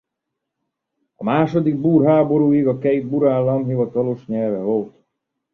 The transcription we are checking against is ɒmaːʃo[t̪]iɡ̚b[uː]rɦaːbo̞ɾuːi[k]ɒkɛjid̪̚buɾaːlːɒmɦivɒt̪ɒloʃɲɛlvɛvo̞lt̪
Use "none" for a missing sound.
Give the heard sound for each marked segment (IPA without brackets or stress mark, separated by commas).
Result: d̪, uː, ɡ